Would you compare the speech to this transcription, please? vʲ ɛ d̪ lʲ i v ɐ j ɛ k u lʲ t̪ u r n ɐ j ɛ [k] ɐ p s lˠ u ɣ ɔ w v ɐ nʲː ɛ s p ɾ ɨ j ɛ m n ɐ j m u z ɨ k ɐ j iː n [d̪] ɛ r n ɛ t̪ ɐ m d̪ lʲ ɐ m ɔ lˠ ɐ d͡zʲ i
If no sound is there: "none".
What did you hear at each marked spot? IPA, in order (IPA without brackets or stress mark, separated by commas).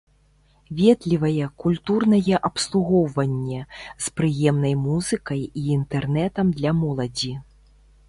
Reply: ʔ, t̪